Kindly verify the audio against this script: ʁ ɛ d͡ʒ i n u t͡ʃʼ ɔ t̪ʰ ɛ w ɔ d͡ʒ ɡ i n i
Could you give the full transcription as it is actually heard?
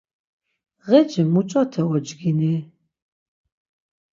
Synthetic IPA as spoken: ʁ ɛ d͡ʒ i m u t͡ʃʼ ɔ t̪ʰ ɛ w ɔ d͡ʒ ɡ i n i